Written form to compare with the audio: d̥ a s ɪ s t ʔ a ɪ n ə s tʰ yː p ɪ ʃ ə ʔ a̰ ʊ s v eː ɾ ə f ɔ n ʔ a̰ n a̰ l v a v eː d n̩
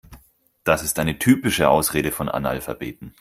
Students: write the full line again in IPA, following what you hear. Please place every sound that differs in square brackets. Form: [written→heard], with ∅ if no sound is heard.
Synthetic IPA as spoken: d̥ a s ɪ s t ʔ a ɪ n ə [s→∅] tʰ yː p ɪ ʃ ə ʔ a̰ ʊ s [v→ʁ] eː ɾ ə f ɔ n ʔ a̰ n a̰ l [v→f] a [v→b] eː [d→t] n̩